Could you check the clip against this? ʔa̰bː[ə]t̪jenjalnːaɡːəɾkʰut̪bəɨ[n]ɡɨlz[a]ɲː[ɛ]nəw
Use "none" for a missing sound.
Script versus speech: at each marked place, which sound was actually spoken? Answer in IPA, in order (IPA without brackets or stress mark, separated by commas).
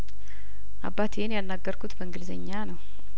a, ŋ, ə, a